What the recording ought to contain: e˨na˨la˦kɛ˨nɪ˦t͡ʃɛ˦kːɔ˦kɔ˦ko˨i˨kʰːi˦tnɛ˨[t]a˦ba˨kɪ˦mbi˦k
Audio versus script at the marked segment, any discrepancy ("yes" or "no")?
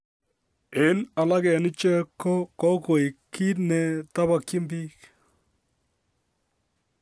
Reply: no